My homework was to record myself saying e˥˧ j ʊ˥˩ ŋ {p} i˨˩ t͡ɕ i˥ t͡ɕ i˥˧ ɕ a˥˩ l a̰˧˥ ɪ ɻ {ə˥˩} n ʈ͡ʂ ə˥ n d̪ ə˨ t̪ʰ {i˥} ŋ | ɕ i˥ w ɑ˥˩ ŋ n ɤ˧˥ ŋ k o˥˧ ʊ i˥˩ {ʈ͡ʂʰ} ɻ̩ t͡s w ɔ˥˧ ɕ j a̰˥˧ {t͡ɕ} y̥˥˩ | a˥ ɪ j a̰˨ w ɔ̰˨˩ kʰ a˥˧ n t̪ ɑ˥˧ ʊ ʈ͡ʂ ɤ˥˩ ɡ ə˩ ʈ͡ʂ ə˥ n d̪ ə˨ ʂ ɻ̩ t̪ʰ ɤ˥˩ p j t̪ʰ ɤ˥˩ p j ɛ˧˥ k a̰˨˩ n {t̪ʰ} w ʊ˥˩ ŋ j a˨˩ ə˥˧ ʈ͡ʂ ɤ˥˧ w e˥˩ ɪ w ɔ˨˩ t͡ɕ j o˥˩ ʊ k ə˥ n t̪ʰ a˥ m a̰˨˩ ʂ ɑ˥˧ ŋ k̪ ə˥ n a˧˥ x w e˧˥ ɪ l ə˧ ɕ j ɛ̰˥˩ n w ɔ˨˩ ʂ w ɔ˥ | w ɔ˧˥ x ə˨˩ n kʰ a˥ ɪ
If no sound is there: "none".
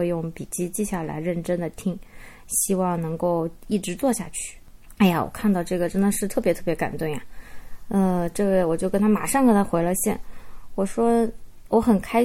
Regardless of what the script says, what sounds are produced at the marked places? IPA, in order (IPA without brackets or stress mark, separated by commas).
p, ə˥˩, i˥, ʈ͡ʂ, t͡ɕʰ, t̪